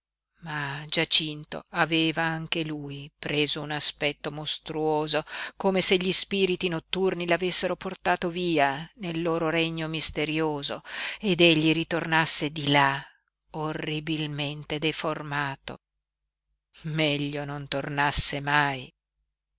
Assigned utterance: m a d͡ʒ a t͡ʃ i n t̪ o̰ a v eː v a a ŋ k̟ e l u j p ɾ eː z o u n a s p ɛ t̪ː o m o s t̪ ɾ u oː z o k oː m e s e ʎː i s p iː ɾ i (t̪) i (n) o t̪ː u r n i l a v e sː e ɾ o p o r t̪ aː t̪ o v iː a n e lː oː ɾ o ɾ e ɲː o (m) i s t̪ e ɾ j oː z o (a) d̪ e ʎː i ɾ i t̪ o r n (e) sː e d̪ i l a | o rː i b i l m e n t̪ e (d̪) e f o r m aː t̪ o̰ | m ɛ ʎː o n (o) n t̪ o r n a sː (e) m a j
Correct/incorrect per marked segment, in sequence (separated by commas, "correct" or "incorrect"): correct, correct, correct, incorrect, incorrect, correct, correct, correct